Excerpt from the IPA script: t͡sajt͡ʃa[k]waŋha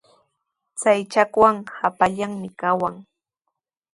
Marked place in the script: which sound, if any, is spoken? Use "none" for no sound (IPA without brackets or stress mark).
k